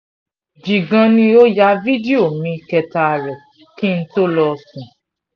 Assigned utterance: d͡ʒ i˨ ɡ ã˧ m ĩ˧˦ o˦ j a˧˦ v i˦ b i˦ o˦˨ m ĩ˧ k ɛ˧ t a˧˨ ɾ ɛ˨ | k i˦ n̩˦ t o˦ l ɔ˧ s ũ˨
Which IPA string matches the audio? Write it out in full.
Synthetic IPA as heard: d͡ʒ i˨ ɡ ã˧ n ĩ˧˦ o˦ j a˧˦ v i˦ d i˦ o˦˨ m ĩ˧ k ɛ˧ t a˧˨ ɾ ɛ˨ | k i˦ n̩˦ t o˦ l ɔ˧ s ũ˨